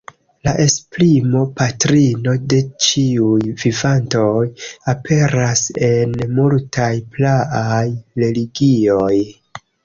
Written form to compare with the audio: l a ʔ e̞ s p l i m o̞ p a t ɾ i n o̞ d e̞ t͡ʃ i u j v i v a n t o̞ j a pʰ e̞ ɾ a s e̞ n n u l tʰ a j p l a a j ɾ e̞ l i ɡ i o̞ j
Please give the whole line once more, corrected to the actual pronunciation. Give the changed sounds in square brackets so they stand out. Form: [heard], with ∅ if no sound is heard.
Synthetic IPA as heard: l a ʔ e̞ s p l i m o̞ p a t ɾ i n o̞ d e̞ t͡ʃ i u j v i v a n t o̞ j a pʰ e̞ ɾ a s e̞ n [m] u l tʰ a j p l a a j ɾ e̞ l i ɡ i o̞ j